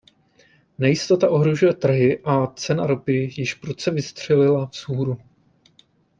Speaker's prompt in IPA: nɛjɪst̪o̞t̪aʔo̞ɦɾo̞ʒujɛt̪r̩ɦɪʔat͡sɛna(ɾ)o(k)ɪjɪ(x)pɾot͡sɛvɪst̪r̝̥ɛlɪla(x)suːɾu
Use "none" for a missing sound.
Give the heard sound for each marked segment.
ɾ, p, ʃ, f

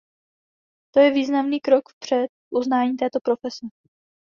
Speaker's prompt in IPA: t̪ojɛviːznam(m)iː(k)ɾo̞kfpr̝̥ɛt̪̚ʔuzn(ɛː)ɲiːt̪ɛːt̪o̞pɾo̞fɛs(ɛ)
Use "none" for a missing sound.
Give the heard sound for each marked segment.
n, k, aː, ɛ

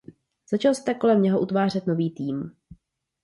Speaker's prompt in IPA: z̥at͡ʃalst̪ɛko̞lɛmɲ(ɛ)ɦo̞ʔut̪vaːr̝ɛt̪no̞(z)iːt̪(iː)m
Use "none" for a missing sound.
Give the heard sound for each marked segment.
ɛ, v, iː

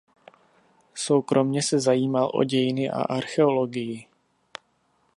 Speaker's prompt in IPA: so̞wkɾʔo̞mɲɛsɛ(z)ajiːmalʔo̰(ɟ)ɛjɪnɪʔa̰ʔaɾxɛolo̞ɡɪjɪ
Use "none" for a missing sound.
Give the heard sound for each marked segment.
z, ɟ

